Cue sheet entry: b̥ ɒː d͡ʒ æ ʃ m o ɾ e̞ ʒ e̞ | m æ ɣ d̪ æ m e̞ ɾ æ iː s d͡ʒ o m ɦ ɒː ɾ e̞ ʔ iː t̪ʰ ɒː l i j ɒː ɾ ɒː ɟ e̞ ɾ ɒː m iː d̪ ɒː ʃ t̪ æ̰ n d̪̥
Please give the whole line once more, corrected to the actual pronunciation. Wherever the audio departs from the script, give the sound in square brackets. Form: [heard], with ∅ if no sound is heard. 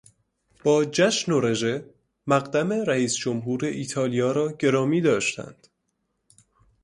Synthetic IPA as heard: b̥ ɒː d͡ʒ æ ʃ [n] o ɾ e̞ ʒ e̞ | m æ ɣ d̪ æ m e̞ ɾ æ iː s d͡ʒ o m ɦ [uː] ɾ e̞ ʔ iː t̪ʰ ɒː l i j ɒː ɾ ɒː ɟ e̞ ɾ ɒː m iː d̪ ɒː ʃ t̪ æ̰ n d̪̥